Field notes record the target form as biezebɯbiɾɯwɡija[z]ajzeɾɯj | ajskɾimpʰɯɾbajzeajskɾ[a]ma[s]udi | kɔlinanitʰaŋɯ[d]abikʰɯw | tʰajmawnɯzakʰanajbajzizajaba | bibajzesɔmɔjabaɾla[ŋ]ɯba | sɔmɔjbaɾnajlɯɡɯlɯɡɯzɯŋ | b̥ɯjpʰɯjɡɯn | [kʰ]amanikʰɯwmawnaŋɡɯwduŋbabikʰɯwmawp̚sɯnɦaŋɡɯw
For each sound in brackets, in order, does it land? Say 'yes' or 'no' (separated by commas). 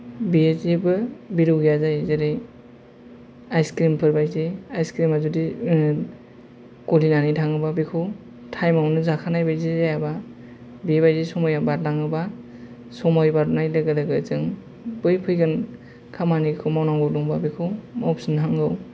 yes, no, no, no, yes, yes